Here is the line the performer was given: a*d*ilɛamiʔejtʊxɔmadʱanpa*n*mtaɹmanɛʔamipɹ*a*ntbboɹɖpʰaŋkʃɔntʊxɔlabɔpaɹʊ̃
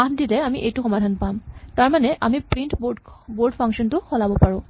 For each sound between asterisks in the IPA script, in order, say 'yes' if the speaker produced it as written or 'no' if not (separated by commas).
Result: yes, no, no